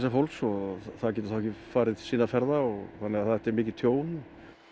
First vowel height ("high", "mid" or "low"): low